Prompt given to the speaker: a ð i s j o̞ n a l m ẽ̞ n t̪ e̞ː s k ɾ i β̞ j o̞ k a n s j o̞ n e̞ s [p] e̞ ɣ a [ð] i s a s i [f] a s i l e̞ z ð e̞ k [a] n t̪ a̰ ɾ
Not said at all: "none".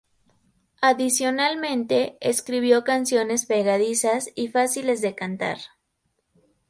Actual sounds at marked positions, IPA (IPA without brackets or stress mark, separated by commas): p, ð, f, a